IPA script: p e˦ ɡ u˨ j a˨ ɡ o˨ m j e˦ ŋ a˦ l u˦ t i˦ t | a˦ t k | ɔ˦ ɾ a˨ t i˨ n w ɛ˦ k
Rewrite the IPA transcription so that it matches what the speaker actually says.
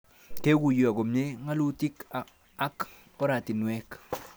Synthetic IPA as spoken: k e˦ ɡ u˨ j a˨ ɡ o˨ m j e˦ ŋ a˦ l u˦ t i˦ k | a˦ k | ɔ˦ ɾ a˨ t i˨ n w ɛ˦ k

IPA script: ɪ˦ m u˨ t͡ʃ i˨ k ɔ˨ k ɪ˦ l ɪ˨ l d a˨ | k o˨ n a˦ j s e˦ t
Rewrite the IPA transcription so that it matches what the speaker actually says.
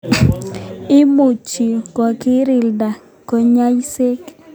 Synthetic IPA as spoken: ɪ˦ m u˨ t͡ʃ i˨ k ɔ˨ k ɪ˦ ɾ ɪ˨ l d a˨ | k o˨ ɲ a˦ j s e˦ k

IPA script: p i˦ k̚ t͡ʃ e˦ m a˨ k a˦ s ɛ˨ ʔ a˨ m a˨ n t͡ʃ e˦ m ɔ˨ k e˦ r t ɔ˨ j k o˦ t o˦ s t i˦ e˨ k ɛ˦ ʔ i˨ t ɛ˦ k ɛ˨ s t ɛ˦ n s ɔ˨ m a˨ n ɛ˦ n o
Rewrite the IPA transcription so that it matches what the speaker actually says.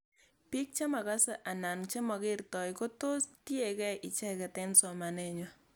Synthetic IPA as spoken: p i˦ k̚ t͡ʃ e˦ m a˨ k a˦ s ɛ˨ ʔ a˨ n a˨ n t͡ʃ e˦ m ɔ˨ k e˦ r t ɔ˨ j k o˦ t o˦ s t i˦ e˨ k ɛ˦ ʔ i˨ t͡ʃ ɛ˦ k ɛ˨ t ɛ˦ n s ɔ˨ m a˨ n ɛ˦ ɲ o

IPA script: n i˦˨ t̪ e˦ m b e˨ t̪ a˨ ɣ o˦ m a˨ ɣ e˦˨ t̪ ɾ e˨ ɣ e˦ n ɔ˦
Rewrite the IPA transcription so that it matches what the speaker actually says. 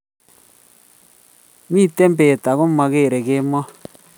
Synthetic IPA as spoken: m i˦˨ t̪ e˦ m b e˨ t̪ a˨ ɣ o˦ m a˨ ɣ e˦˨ ɾ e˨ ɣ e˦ m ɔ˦

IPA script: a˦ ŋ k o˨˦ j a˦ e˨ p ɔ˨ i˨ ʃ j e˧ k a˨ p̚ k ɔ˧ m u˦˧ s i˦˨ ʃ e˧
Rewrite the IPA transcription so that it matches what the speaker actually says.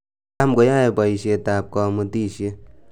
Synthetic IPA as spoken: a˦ m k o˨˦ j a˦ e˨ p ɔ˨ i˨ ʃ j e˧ t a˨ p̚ k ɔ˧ m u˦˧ t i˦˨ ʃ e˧

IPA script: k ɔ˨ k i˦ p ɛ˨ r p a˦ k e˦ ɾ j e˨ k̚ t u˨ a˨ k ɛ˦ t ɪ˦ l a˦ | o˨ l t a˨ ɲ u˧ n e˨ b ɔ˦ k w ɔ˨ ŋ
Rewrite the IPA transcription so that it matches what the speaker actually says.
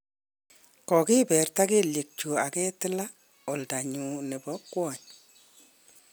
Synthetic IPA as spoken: k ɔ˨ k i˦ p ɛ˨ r t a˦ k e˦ l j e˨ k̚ t͡ʃ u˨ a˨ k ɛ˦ t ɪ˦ l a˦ | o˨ l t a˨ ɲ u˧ n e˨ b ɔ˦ k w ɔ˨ ɲ

